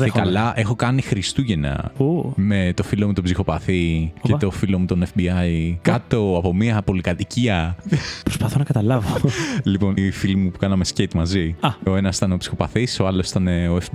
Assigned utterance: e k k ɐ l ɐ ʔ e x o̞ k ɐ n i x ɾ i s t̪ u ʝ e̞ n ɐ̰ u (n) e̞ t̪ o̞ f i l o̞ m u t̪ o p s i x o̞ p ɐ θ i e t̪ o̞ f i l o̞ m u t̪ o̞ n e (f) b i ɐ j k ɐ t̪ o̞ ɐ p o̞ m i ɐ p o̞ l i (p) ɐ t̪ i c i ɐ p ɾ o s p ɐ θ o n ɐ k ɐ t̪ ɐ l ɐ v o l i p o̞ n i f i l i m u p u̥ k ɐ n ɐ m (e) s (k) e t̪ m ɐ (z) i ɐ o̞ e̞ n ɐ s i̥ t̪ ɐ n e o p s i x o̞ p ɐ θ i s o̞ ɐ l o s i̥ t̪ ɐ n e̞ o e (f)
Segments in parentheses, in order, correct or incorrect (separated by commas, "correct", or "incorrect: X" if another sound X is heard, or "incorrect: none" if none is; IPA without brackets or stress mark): incorrect: m, correct, incorrect: k, correct, incorrect: c, correct, correct